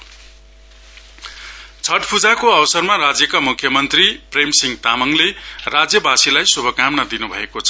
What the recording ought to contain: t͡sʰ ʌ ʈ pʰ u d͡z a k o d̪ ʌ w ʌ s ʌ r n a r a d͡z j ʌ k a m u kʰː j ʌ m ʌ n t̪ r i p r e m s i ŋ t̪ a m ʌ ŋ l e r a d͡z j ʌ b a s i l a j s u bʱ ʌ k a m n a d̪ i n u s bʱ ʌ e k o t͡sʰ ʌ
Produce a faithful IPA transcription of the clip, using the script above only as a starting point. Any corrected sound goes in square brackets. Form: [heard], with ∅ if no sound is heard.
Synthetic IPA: t͡sʰ ʌ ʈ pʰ u d͡z a k o [∅] ʌ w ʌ s ʌ r [m] a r a d͡z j ʌ k a m u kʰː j ʌ m ʌ n t̪ r i p r e m s i ŋ t̪ a m ʌ ŋ l e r a d͡z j ʌ b a s i l a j s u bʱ ʌ k a m n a d̪ i n u [∅] bʱ ʌ e k o t͡sʰ ʌ